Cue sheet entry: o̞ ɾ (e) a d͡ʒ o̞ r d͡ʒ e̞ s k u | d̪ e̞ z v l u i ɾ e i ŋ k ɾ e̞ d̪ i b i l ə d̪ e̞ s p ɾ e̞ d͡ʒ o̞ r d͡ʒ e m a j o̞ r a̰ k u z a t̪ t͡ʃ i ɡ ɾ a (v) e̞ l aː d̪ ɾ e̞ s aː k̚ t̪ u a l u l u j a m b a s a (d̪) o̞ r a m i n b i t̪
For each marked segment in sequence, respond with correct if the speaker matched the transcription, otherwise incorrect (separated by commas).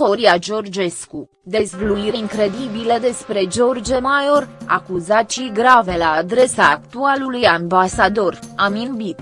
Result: incorrect, correct, correct